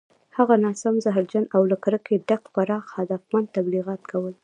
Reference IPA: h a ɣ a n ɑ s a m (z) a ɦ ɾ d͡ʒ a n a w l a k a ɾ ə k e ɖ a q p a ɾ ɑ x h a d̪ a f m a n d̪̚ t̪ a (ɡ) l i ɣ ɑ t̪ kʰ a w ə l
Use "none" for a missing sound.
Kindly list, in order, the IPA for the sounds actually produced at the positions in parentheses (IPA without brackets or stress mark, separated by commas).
z, b